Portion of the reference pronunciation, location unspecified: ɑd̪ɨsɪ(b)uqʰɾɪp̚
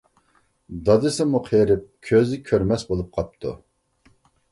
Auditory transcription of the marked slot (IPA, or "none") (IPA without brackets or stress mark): m